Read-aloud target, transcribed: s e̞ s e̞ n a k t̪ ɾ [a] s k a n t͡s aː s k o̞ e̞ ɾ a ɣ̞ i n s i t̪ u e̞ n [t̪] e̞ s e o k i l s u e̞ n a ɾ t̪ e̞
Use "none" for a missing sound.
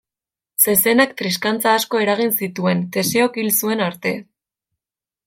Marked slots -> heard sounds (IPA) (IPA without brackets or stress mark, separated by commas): i, t̪